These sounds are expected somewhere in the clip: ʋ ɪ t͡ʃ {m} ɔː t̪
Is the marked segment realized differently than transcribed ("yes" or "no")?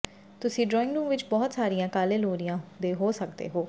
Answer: yes